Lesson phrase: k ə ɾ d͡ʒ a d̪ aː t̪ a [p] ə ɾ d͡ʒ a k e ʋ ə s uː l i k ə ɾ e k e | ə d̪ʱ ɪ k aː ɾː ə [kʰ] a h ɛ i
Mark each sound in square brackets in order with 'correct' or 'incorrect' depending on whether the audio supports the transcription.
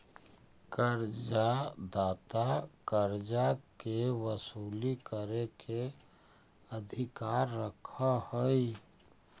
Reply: incorrect, correct

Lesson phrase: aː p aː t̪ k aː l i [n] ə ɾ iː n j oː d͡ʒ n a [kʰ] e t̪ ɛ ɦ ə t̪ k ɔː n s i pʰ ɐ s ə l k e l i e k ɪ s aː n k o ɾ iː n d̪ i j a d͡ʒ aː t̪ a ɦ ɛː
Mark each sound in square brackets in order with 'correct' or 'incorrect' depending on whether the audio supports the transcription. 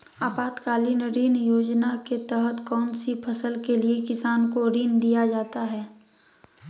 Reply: correct, incorrect

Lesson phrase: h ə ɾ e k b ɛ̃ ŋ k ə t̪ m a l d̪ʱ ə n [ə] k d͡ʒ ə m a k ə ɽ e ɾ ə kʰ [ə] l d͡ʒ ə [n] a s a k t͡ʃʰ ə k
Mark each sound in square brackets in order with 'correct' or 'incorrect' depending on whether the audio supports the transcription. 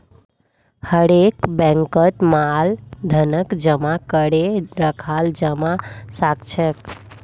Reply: correct, incorrect, incorrect

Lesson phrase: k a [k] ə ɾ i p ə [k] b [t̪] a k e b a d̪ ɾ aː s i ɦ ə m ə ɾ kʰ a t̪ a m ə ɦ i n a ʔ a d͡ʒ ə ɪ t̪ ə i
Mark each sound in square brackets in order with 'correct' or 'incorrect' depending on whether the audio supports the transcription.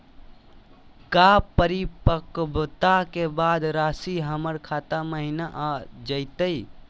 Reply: incorrect, correct, correct

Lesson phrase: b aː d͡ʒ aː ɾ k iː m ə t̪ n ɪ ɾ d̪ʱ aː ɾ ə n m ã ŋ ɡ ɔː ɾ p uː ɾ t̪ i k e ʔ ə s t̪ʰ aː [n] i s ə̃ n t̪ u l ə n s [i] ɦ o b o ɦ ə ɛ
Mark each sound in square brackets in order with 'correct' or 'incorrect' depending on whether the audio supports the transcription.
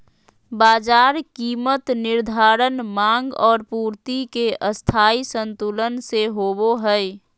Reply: incorrect, incorrect

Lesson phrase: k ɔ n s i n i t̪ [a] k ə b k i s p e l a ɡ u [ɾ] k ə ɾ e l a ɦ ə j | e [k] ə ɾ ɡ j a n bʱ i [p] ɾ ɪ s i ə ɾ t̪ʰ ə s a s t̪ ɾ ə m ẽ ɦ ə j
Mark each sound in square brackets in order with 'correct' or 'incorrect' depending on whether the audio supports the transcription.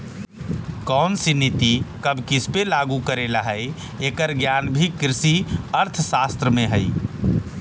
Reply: incorrect, incorrect, correct, incorrect

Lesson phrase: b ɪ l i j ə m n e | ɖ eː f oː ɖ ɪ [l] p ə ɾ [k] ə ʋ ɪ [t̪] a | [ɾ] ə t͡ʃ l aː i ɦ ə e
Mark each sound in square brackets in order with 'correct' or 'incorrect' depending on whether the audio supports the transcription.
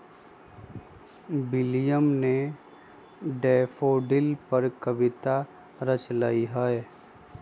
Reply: correct, correct, correct, correct

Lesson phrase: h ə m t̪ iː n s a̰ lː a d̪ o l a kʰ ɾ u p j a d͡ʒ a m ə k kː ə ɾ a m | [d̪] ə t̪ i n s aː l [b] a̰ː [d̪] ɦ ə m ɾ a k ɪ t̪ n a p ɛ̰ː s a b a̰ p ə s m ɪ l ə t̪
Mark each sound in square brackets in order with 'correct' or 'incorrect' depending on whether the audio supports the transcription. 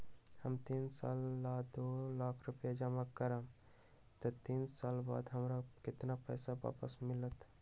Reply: incorrect, correct, correct

